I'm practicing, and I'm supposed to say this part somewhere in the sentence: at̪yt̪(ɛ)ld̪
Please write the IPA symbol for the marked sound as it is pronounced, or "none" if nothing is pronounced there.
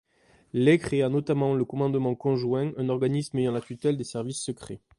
ɛ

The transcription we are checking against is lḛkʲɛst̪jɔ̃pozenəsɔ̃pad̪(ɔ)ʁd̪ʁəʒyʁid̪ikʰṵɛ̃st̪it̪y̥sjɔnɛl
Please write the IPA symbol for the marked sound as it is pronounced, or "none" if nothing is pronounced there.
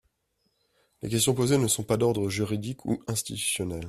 ɔ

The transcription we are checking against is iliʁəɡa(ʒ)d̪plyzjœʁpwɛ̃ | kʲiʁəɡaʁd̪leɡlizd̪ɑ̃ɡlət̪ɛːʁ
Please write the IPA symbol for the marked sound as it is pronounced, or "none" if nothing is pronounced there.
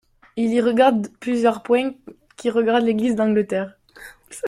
ʁ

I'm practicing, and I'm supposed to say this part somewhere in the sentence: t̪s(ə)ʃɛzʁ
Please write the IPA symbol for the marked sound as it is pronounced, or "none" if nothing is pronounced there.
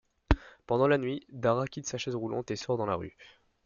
a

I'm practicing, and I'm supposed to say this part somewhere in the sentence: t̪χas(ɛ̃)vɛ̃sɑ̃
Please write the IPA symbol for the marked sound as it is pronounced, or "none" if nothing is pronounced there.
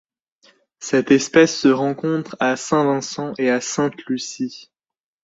ɛ̃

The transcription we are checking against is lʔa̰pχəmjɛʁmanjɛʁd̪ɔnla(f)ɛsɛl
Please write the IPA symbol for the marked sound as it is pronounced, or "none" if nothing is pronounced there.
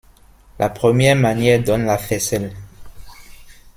f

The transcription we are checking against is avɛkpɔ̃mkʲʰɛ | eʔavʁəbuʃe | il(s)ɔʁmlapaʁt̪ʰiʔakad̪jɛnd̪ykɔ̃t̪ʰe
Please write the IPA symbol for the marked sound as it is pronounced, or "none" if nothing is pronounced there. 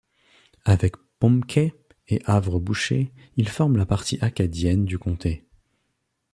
f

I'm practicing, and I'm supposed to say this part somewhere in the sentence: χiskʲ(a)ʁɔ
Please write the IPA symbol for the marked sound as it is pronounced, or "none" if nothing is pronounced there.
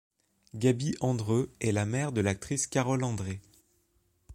a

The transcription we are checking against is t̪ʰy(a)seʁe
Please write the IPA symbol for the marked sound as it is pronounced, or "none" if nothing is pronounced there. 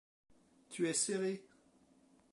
ɛ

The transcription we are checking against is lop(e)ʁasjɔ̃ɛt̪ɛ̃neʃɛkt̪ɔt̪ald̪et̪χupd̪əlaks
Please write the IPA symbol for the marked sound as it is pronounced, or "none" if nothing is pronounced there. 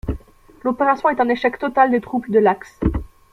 e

